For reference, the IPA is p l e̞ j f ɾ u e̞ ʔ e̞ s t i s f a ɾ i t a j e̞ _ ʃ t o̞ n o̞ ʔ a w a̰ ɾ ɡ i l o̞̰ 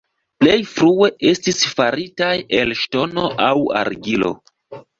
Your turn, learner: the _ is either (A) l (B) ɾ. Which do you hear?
A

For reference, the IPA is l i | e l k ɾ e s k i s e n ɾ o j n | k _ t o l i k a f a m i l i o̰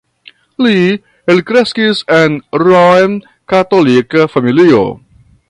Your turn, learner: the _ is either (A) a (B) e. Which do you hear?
A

